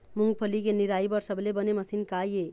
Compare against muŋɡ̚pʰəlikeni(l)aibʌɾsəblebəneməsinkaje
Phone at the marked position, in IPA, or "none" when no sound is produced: ɾ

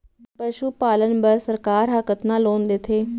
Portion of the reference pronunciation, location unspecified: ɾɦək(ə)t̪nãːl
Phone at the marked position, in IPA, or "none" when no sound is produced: ə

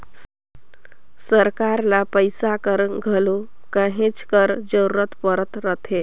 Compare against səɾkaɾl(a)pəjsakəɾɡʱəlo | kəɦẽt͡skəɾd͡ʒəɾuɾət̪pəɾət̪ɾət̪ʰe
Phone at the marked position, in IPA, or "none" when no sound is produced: a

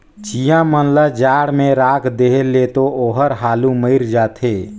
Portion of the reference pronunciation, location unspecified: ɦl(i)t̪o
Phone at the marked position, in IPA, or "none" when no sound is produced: e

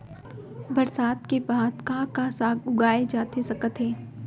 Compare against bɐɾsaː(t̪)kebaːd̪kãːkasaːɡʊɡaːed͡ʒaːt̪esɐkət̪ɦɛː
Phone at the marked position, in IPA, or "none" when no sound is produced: t̪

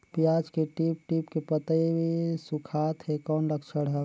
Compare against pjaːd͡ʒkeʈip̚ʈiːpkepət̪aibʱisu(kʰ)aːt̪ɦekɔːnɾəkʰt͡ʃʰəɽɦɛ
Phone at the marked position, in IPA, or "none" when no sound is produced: kʰ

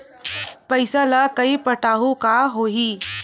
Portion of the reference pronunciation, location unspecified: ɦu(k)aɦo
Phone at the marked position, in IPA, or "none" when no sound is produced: k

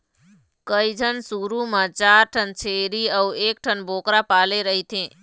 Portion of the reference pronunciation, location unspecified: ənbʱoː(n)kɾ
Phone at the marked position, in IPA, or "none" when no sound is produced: none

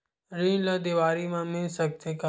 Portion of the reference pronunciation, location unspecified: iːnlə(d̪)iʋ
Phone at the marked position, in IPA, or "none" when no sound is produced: d̪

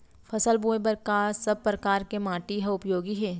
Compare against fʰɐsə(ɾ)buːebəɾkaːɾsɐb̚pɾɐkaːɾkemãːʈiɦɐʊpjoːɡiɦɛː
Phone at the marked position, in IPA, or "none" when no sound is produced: l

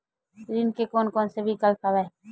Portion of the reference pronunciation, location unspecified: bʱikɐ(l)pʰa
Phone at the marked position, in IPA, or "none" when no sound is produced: l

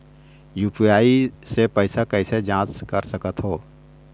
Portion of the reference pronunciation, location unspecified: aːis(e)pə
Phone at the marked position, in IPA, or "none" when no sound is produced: e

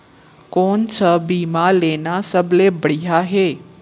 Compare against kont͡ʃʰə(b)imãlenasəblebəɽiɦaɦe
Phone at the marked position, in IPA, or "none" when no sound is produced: b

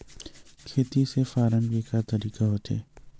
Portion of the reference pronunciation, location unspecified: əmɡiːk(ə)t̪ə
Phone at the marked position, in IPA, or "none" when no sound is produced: a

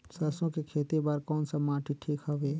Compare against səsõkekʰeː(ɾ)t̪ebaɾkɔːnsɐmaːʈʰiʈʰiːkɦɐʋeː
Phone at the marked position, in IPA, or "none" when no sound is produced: none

